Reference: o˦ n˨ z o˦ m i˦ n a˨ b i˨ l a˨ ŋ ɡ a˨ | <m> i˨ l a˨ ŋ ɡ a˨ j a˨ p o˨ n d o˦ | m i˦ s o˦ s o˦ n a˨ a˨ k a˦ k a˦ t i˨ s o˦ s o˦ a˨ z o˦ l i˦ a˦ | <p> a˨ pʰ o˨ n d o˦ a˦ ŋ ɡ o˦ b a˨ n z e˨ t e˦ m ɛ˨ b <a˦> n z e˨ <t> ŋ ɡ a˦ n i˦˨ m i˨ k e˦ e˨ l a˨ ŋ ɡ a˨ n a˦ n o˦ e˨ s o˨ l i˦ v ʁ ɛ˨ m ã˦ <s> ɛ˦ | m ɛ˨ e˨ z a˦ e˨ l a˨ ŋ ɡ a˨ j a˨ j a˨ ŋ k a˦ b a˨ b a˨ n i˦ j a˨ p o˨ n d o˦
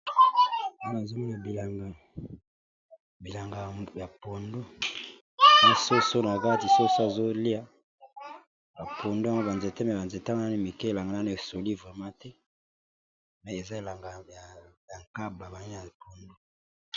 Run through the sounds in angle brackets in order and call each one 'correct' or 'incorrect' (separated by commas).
incorrect, incorrect, incorrect, correct, incorrect